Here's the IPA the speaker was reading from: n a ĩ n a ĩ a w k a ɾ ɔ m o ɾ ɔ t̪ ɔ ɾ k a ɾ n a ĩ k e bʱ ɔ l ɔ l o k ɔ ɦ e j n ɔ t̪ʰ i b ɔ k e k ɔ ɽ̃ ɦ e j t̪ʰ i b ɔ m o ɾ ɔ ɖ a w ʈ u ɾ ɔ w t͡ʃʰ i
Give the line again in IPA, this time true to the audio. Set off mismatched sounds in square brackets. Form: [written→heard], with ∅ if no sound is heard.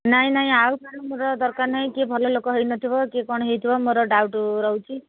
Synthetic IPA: n a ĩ n a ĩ a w k a ɾ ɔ m o ɾ ɔ [t̪→d̪] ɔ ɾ k a ɾ n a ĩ k e bʱ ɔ l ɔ l o k ɔ ɦ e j n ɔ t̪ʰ i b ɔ k e k ɔ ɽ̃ ɦ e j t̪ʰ i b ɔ m o ɾ ɔ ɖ a w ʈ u ɾ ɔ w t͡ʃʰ i